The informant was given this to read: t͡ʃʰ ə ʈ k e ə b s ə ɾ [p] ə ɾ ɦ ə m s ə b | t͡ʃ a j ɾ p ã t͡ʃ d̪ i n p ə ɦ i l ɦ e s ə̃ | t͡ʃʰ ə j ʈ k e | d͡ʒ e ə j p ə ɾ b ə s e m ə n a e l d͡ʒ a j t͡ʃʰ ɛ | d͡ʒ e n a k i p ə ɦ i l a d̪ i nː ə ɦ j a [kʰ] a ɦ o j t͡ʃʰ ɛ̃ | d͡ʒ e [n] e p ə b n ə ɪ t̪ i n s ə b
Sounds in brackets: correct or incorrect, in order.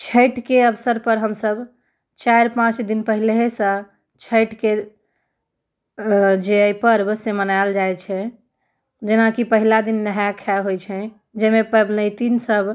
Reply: correct, correct, incorrect

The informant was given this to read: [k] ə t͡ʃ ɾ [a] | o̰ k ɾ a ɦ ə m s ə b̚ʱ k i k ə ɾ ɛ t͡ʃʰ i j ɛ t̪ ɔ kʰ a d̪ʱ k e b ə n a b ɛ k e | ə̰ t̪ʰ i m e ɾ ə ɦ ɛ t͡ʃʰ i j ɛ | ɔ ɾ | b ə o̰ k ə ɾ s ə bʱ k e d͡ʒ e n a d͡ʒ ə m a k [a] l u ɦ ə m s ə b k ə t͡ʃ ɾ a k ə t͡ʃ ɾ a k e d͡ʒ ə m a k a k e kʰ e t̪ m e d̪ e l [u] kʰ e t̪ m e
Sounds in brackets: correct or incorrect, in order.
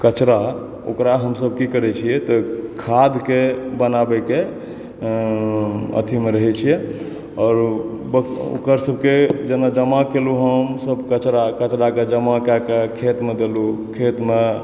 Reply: correct, correct, incorrect, correct

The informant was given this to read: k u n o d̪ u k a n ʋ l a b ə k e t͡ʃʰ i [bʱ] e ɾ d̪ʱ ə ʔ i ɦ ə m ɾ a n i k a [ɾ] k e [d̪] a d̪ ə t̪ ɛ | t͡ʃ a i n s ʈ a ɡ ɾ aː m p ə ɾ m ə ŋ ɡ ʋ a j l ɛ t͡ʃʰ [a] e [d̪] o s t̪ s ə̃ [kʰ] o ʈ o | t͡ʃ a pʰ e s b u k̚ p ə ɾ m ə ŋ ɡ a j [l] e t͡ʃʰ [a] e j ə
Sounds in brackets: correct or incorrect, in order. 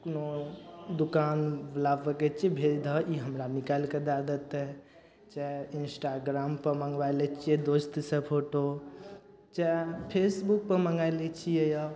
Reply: correct, incorrect, correct, incorrect, correct, incorrect, correct, incorrect

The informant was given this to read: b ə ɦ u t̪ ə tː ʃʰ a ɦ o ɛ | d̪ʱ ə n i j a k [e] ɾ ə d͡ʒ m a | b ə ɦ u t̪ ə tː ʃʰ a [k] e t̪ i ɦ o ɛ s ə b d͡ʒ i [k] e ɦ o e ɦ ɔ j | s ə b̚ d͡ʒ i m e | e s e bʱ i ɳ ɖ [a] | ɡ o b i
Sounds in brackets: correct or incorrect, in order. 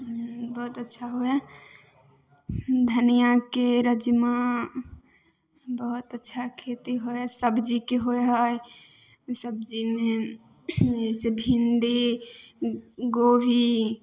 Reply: correct, incorrect, correct, incorrect

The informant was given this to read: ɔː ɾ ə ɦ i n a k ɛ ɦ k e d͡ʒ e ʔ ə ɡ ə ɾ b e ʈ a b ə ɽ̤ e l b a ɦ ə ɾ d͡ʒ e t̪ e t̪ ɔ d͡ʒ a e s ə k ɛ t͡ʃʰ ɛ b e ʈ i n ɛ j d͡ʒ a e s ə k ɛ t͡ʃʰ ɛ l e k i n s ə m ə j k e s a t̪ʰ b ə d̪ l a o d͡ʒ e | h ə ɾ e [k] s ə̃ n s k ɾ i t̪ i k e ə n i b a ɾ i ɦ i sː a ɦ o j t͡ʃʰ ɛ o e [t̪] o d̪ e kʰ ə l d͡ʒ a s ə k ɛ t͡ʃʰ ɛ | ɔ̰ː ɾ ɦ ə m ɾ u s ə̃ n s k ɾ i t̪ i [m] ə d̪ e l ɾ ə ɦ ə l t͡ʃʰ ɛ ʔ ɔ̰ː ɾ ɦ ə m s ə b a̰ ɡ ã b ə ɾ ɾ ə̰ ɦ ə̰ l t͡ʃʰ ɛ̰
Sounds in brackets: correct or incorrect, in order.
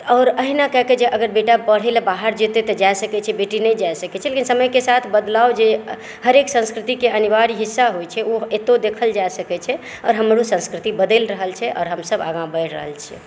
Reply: correct, correct, incorrect

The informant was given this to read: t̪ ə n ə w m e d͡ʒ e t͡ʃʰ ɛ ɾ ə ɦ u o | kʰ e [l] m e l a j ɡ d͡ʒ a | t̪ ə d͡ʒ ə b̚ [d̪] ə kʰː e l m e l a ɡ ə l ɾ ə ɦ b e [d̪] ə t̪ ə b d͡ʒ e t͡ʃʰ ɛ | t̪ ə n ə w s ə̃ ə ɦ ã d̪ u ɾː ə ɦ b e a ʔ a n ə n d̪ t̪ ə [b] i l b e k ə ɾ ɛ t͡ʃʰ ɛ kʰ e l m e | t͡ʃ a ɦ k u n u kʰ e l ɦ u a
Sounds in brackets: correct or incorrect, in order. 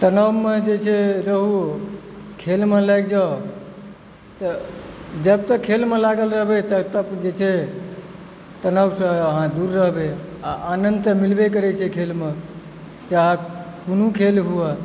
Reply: correct, incorrect, incorrect, incorrect

